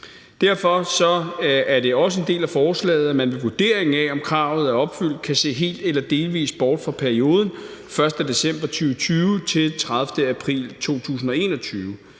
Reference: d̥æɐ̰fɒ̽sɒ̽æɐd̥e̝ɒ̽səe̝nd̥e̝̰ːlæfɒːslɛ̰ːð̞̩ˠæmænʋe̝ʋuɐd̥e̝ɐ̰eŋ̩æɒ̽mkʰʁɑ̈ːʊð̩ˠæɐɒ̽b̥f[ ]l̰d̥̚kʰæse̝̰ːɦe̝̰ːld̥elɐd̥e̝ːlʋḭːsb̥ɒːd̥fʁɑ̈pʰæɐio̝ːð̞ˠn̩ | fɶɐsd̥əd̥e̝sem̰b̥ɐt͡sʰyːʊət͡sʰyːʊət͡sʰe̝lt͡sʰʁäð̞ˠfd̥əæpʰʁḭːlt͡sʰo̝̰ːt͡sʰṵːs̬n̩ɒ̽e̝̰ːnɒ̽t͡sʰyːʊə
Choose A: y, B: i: A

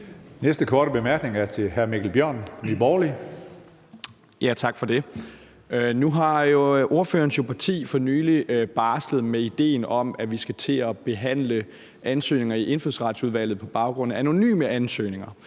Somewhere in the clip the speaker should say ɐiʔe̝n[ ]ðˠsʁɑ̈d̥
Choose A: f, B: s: A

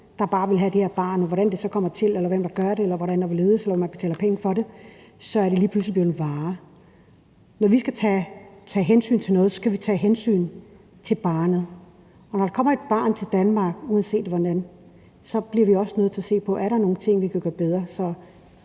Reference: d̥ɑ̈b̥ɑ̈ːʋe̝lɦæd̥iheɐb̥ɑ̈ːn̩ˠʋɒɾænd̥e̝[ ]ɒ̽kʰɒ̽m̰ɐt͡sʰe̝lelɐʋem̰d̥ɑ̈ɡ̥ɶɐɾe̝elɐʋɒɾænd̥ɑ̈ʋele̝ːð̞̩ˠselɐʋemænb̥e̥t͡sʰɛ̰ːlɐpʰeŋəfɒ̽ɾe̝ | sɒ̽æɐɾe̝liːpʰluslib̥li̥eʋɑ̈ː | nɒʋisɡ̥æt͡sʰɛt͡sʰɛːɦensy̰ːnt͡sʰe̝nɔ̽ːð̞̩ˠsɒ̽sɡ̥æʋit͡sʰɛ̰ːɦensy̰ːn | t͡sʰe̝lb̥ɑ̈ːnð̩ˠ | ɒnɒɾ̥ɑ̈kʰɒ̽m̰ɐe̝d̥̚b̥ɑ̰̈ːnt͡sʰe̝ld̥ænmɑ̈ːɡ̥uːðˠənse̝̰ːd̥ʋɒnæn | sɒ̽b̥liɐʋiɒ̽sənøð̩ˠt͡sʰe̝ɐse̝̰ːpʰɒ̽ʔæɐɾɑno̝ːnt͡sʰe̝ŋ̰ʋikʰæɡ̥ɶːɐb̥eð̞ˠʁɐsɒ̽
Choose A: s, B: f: A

